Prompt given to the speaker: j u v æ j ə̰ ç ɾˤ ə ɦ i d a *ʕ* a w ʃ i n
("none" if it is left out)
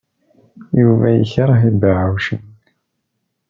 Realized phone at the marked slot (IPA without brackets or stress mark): ʕ